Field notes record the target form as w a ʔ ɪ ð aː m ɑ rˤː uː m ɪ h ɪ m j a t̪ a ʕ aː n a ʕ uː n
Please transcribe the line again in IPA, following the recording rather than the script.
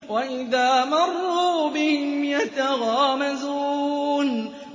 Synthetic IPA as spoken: w a ʔ ɪ ð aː m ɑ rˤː uː b ɪ h ɪ m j a t̪ a ɣ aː m a z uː n